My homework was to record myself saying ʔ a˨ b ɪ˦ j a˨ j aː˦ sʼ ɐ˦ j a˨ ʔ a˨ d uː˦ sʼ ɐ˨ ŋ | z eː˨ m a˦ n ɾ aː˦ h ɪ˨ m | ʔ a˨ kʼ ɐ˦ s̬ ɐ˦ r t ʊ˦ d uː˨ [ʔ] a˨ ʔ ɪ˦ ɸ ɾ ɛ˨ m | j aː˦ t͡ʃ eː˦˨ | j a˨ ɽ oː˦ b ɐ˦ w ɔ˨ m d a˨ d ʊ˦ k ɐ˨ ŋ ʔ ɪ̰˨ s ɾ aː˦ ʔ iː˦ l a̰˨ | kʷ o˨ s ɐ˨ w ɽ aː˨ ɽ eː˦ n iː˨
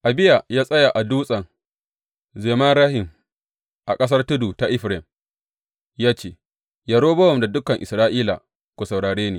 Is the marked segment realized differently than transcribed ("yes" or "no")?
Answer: yes